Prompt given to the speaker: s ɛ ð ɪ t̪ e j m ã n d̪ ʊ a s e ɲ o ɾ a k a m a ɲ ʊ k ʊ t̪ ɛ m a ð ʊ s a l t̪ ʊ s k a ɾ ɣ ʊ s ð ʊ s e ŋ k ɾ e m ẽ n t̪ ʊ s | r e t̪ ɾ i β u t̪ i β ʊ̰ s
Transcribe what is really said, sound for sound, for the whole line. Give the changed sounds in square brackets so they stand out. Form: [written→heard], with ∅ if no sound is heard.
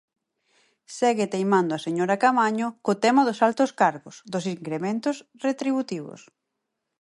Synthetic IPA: s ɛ [ð→ɣ] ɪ t̪ e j m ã n d̪ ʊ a s e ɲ o ɾ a k a m a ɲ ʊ k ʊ t̪ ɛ m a ð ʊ s a l t̪ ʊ s k a ɾ ɣ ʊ s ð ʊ s [e→i] ŋ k ɾ e m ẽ n t̪ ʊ s | r e t̪ ɾ i β u t̪ i β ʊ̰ s